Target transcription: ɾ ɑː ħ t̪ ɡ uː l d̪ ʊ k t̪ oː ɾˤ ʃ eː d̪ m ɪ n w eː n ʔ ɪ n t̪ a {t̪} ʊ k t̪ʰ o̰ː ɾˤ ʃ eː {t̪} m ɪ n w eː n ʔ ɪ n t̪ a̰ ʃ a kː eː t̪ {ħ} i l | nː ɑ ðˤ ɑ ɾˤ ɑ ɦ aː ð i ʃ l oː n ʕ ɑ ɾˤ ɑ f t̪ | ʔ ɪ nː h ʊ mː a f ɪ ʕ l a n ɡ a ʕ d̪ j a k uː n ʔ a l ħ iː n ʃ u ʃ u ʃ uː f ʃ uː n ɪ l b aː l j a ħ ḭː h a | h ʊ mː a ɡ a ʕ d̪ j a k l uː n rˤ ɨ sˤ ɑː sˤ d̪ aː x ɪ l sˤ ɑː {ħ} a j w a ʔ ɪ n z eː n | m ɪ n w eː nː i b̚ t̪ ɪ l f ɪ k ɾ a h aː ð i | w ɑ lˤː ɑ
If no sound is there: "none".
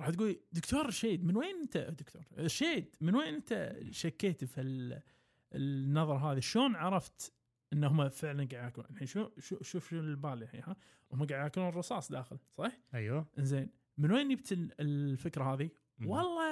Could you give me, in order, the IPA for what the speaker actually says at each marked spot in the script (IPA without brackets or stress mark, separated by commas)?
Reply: d̪, d̪, f, ħ